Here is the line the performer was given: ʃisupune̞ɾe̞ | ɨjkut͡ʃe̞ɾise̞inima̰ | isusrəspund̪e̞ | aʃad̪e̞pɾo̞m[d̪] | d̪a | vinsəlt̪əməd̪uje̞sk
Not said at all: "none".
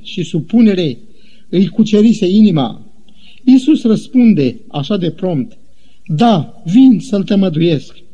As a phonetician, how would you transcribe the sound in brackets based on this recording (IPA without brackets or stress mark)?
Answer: t̪